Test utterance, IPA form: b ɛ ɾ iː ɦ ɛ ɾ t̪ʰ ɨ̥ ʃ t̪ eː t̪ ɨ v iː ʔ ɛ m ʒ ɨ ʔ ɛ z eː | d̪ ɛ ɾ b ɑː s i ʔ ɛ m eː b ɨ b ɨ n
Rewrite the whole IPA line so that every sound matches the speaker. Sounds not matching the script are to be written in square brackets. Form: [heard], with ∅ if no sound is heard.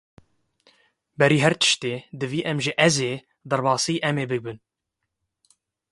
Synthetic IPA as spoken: b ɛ ɾ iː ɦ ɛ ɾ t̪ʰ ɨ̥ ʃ t̪ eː [d̪] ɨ v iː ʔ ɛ m ʒ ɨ ʔ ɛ z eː | d̪ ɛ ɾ b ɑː s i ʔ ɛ m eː b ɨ b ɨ n